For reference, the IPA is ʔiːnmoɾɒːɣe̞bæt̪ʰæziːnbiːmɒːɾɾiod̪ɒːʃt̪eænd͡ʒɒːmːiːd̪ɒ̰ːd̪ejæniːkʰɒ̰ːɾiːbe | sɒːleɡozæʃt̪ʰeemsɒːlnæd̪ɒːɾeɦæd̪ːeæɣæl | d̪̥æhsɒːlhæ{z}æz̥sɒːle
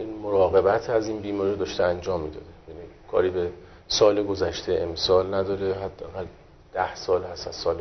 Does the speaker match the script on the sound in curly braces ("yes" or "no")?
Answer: no